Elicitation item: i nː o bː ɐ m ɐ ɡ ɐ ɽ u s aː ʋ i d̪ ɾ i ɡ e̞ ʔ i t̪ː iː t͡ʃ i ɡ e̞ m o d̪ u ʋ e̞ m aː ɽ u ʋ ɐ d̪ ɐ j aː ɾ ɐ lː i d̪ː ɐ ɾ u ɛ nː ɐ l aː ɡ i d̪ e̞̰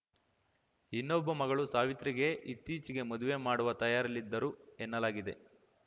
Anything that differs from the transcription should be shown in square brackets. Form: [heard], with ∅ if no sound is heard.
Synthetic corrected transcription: i nː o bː ɐ m ɐ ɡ ɐ [ɭ] u s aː ʋ i [t̪] ɾ i ɡ e̞ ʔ i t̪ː iː t͡ʃ i ɡ e̞ m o d̪ u ʋ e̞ m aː ɽ u ʋ ɐ [t̪] ɐ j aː ɾ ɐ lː i d̪ː ɐ ɾ u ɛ nː ɐ l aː ɡ i d̪ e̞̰